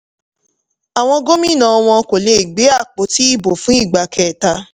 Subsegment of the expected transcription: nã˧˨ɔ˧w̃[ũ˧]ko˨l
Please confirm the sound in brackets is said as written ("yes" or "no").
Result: no